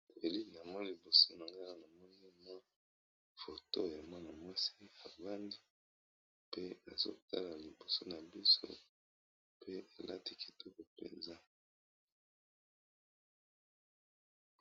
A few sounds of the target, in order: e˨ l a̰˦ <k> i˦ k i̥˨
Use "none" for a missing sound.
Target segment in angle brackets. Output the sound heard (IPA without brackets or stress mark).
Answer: t